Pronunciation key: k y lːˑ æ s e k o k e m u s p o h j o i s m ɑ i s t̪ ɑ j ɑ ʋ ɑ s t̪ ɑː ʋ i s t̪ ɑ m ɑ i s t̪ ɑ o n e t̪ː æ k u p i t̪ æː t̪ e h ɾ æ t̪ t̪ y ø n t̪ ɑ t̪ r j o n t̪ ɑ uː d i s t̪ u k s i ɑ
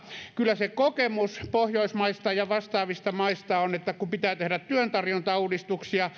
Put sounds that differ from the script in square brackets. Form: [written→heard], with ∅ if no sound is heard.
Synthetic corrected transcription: k y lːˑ æ s e k o k e m u s p o h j o i s m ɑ i s t̪ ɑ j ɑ ʋ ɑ s t̪ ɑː ʋ i s t̪ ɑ m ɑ i s t̪ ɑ o n e t̪ː æ k u p i t̪ æː t̪ e h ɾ æ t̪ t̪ y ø n t̪ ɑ [t̪→∅] r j o n t̪ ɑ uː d i s t̪ u k s i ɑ